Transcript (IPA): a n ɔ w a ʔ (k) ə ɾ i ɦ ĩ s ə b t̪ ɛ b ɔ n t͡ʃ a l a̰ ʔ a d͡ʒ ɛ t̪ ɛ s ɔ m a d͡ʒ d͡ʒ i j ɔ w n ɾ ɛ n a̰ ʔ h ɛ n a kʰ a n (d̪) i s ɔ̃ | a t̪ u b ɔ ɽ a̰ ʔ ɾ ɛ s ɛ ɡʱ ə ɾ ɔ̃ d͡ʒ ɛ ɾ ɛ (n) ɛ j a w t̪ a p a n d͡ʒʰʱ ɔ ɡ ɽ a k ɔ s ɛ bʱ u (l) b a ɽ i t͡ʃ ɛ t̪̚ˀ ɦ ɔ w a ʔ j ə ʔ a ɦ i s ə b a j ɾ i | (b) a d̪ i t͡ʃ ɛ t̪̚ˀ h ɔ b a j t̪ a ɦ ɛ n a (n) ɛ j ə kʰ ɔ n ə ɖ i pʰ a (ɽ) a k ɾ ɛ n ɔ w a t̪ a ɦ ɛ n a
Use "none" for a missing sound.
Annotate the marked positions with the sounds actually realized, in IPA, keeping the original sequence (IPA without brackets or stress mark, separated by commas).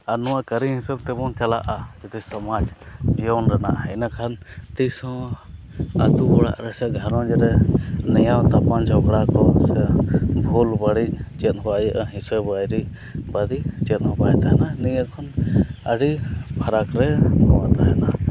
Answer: k, t̪, n, l, b, n, ɾ